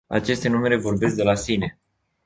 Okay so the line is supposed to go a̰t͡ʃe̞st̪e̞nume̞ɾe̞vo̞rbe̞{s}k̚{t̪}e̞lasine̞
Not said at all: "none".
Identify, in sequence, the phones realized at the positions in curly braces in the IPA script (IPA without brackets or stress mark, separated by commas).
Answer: s, d̪